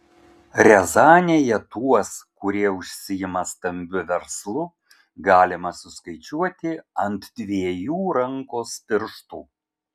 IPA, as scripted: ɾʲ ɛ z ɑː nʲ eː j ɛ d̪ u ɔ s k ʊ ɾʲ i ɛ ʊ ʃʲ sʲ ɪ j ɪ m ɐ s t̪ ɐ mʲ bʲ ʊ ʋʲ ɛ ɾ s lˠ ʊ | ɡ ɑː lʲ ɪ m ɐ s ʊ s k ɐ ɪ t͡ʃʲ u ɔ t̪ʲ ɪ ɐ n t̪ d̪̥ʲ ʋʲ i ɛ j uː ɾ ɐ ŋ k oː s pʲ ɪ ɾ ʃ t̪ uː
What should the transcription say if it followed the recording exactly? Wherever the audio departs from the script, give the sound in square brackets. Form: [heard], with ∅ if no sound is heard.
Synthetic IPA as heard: ɾʲ ɛ z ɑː nʲ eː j ɛ [t̪] u ɔ s k ʊ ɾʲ i ɛ ʊ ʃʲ sʲ ɪ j ɪ m ɐ s t̪ ɐ mʲ bʲ ʊ ʋʲ ɛ ɾ s lˠ ʊ | ɡ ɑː lʲ ɪ m ɐ s ʊ s k ɐ ɪ t͡ʃʲ u ɔ t̪ʲ ɪ ɐ n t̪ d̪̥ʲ ʋʲ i ɛ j uː ɾ ɐ ŋ k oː s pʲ ɪ ɾ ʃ t̪ uː